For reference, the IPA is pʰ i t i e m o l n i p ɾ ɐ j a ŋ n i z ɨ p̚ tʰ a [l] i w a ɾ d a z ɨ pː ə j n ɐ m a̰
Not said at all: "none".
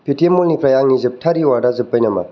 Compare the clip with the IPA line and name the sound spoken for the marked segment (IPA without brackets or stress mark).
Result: ɾ